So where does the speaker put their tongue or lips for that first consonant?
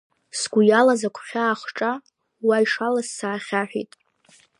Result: tongue tip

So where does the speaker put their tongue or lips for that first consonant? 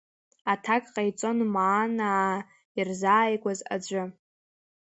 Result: tongue tip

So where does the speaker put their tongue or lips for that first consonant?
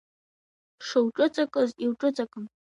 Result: retroflex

